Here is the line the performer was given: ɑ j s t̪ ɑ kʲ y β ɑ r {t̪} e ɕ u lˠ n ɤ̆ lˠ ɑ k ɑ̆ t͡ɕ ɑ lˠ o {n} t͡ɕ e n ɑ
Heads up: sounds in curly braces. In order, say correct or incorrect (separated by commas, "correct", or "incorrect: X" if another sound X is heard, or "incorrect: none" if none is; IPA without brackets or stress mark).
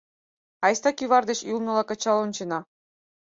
incorrect: d̪, correct